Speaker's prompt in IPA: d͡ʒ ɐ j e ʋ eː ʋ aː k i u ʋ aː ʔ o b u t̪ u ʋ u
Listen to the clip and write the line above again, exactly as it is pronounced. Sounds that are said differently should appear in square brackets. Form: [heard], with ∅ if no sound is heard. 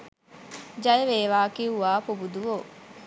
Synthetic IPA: d͡ʒ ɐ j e ʋ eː ʋ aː k i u ʋ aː [p] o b u [d̪] u ʋ [o]